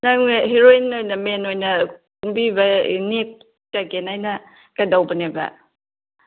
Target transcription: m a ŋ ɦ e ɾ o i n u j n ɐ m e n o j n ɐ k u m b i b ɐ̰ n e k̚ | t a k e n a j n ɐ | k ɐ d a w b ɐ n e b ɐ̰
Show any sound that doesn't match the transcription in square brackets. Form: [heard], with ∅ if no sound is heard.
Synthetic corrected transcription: [n] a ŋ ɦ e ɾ o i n [o] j n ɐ m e n o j n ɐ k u m b i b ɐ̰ n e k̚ | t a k e n a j n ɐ | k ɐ d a w b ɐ n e b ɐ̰